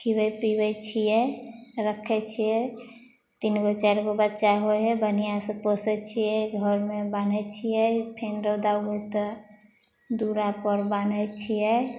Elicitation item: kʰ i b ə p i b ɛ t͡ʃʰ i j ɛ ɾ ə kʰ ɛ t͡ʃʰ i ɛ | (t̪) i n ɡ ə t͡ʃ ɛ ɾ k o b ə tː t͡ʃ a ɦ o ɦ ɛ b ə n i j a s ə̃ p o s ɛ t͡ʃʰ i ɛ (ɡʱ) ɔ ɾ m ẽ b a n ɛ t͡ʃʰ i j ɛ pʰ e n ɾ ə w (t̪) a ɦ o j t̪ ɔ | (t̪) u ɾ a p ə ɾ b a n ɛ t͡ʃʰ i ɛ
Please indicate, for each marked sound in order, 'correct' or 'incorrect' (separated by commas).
correct, correct, incorrect, incorrect